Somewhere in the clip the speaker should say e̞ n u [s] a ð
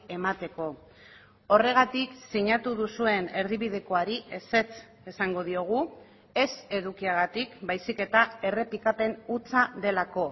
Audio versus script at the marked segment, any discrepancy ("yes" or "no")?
yes